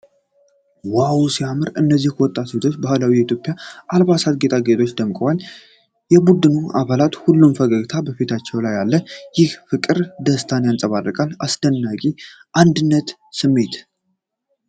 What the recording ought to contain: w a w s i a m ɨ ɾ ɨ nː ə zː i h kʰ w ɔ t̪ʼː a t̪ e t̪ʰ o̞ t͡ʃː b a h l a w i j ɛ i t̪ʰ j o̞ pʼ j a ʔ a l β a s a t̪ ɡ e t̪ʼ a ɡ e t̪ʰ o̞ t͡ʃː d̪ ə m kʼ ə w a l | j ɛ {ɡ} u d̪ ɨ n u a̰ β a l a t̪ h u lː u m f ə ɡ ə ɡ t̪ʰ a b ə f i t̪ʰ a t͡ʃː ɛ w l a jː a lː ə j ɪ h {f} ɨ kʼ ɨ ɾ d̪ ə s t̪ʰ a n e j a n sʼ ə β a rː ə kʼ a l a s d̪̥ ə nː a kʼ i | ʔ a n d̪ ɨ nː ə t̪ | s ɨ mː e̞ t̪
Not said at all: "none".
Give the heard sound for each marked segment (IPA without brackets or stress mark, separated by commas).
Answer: b, f